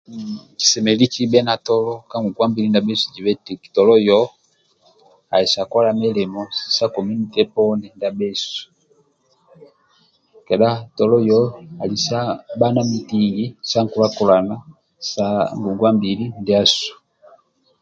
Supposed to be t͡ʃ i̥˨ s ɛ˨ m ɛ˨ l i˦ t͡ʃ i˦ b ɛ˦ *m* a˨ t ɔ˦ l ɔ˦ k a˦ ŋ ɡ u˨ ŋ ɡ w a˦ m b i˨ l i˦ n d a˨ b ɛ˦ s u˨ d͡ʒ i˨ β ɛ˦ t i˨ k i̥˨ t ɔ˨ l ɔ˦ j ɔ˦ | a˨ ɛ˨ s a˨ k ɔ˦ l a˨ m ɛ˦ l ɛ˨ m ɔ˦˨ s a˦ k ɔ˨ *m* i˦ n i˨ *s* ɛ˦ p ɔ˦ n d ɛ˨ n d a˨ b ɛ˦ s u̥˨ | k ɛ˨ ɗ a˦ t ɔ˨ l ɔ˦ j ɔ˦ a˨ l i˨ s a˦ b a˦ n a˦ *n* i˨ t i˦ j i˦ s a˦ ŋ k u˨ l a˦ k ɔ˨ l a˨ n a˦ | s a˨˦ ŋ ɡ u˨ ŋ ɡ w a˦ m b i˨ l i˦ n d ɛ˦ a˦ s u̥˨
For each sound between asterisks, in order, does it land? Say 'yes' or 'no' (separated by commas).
no, yes, no, no